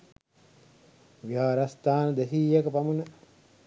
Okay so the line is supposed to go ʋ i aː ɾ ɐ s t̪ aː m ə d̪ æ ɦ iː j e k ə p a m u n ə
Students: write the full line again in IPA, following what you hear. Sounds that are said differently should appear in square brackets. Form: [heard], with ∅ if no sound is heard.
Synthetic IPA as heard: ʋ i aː ɾ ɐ s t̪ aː [n] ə d̪ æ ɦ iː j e k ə p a m u n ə

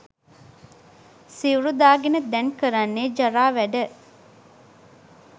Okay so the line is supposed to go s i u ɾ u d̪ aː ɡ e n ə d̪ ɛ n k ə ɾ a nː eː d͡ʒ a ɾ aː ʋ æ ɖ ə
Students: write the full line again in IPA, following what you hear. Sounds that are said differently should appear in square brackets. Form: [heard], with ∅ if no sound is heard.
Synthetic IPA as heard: s i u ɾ u d̪ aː ɡ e n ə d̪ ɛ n k ə ɾ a nː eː d͡ʒ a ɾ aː ʋ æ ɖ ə

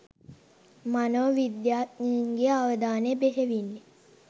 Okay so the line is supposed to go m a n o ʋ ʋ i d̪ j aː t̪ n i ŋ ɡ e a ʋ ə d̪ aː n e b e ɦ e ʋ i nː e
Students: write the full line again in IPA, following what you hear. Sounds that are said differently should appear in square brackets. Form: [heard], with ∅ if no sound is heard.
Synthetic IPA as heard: m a n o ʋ ʋ i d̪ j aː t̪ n i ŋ ɡ e a ʋ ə d̪ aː n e b e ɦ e ʋ i nː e

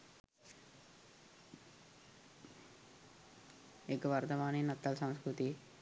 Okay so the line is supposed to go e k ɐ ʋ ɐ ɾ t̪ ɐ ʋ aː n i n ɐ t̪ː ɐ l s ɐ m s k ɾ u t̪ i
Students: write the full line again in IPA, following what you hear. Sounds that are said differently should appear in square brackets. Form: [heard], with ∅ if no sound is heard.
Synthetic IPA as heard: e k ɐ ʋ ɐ ɾ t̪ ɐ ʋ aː n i n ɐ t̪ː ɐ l s ɐ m s k ɾ u t̪ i

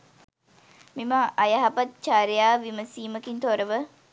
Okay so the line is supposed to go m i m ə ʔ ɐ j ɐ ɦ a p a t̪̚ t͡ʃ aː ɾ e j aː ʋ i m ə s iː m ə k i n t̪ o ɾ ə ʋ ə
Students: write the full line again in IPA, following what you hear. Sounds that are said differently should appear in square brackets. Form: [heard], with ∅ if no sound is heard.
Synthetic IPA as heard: m i m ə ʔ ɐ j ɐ ɦ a p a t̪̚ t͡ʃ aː ɾ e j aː ʋ i m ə s iː m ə k i n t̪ o ɾ ə ʋ ə

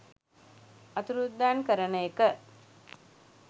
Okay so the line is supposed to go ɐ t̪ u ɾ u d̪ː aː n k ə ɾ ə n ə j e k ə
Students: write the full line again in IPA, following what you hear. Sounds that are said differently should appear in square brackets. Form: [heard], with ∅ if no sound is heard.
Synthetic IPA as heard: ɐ t̪ u ɾ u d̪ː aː n k ə ɾ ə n ə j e k ə

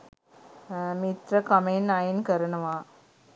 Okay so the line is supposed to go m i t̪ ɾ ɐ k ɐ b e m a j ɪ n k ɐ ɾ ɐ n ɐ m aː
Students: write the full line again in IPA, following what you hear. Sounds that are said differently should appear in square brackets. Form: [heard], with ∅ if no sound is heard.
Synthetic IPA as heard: m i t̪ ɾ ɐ k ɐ [m] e [n] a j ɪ n k ɐ ɾ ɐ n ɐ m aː

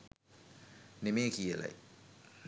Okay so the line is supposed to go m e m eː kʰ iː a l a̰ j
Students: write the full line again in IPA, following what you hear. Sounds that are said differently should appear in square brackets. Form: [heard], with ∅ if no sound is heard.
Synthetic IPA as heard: [n] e m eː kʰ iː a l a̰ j

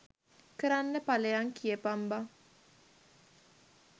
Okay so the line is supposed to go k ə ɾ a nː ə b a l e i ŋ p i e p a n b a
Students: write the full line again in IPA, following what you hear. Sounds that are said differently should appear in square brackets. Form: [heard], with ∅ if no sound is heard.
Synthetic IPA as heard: k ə ɾ a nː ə [p] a l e [a] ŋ [k] i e p a [m] b a

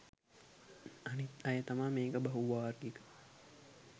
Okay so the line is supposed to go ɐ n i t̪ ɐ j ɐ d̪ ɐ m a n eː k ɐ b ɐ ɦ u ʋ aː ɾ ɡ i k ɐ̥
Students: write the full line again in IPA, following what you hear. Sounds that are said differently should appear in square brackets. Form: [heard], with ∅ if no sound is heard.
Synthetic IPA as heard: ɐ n i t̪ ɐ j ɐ [t̪] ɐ m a [m] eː k ɐ b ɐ ɦ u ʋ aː ɾ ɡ i k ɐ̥

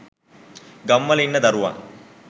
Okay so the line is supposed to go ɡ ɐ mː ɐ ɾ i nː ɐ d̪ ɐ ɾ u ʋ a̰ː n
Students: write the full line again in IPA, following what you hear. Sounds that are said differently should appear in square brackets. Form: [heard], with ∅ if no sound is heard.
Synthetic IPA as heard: ɡ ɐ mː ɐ [l] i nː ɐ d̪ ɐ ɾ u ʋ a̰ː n

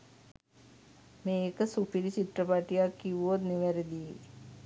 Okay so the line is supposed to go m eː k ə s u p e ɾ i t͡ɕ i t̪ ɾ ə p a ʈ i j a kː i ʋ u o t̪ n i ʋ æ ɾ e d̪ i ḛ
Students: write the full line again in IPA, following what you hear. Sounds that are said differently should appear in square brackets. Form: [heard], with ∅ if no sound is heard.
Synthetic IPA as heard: m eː k ə s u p [i] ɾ i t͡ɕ i t̪ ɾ ə p a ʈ i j a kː i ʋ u o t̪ n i ʋ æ ɾ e d̪ i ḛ

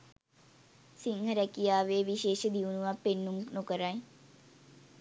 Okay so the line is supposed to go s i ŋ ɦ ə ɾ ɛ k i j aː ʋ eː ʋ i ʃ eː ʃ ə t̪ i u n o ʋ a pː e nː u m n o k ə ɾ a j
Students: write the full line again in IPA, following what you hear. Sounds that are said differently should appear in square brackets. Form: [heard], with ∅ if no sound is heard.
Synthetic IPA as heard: s i ŋ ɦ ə ɾ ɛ k i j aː ʋ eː ʋ i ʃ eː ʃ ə [d̪] i u n [u] ʋ a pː e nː u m n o k ə ɾ a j

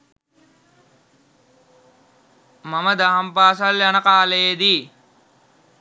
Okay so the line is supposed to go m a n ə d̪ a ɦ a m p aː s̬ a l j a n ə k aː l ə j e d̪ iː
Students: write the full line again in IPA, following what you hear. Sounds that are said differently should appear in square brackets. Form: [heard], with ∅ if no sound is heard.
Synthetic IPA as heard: m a [m] ə d̪ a ɦ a m p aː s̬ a l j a n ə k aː l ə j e d̪ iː

